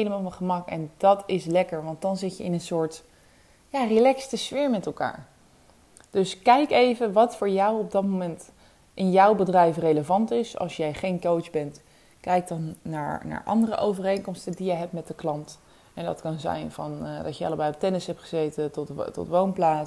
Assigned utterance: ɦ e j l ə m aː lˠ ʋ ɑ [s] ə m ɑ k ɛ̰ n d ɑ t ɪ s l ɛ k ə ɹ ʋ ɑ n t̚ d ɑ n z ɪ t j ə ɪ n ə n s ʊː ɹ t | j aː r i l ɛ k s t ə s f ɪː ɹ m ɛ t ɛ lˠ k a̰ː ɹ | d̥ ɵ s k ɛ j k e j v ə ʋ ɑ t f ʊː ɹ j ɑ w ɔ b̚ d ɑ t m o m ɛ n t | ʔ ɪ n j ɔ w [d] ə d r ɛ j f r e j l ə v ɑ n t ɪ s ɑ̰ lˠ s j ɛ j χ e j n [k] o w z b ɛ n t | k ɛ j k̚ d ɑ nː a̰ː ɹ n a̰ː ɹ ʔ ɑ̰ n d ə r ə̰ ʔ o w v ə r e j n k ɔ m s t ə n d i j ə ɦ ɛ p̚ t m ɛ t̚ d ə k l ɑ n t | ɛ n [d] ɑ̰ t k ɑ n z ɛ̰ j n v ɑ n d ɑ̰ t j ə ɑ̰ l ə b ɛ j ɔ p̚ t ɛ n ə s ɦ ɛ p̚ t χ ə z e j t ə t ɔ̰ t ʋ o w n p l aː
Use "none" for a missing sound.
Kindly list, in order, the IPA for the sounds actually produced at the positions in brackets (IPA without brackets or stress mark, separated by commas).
χ, b, k, d